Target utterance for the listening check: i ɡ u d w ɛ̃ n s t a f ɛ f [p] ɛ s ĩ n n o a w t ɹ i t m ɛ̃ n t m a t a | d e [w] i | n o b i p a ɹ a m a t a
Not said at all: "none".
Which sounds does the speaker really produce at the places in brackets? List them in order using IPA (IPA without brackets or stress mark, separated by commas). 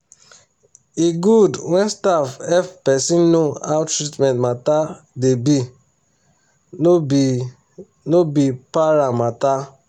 p, b